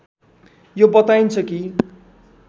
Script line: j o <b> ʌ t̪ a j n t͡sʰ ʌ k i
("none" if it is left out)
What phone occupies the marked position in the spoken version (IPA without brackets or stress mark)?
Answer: b